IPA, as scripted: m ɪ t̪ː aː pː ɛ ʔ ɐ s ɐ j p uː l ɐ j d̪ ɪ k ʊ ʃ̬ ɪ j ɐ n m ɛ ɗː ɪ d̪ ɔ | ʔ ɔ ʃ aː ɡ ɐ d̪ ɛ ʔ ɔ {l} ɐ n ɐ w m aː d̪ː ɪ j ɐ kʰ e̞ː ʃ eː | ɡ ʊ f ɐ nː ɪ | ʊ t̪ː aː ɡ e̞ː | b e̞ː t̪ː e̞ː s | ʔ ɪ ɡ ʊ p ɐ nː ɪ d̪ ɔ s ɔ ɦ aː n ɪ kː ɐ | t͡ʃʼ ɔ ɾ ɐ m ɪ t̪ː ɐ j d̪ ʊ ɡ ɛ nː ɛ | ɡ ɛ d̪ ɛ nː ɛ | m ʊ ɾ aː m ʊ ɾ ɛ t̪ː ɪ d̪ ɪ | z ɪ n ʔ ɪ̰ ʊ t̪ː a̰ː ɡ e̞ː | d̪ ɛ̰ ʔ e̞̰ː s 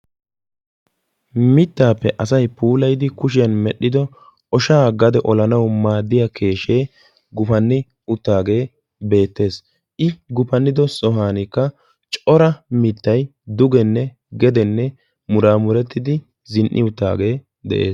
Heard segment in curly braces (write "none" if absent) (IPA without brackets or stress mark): l